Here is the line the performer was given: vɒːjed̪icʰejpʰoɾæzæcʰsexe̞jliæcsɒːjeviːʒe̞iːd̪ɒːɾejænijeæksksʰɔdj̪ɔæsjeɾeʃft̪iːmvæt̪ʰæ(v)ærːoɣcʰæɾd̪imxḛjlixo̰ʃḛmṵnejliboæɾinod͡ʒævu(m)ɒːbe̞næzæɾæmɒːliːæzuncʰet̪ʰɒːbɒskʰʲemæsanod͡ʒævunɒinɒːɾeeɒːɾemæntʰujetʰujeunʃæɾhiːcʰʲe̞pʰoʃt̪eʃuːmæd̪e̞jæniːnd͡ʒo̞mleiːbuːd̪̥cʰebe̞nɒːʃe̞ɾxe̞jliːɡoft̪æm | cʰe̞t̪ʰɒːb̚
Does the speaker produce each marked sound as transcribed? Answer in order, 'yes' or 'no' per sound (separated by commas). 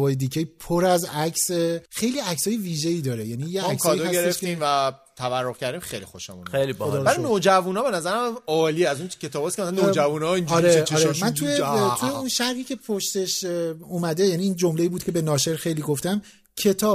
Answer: yes, no